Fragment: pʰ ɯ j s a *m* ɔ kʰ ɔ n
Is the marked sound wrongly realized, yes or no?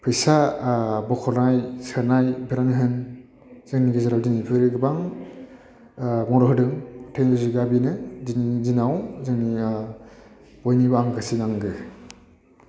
yes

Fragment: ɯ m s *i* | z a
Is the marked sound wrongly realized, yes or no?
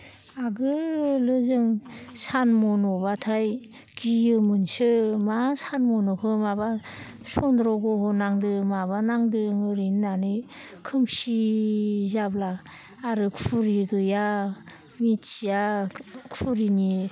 no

